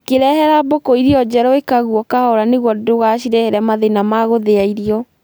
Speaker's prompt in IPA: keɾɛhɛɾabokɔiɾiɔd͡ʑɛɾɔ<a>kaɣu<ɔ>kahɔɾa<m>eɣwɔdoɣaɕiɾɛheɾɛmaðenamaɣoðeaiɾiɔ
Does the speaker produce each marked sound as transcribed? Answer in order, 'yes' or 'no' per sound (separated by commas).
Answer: no, yes, no